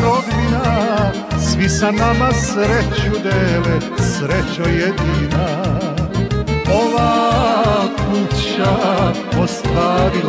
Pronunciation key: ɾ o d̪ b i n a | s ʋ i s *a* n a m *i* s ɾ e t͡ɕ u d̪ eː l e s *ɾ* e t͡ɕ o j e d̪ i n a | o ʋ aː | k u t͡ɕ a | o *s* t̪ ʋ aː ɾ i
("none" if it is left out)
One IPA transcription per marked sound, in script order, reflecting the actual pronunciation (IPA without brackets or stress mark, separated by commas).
a, a, ɾ, s